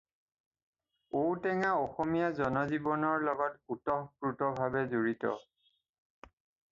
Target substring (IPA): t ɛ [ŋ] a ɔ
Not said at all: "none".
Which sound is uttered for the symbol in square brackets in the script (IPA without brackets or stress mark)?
ŋ